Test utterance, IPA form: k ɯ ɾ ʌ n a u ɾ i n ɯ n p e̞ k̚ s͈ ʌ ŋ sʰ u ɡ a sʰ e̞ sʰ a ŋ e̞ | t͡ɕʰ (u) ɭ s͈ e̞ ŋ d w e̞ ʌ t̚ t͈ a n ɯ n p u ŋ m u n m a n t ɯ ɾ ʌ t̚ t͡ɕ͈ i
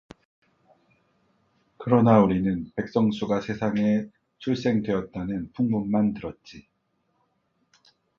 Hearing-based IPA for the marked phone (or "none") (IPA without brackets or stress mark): u